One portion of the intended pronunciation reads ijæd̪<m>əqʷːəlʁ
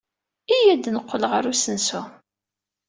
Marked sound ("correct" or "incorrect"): incorrect